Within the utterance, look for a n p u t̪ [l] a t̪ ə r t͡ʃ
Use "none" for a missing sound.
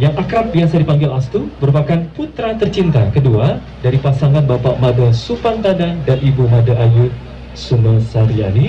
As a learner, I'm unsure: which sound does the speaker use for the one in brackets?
ɾ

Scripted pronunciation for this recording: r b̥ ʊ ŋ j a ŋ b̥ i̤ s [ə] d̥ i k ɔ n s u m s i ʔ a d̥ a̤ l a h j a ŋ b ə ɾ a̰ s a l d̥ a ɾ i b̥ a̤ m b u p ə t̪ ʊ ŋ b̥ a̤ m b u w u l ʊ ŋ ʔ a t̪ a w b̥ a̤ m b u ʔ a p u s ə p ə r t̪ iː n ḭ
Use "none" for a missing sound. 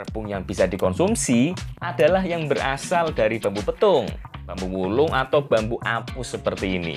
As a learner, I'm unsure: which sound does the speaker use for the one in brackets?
a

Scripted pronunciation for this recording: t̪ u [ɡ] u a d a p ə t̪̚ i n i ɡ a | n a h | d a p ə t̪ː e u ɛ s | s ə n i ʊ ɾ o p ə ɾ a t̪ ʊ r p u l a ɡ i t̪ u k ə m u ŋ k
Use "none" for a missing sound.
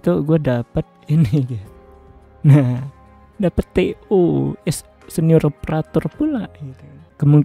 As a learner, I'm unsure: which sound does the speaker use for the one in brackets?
ɡ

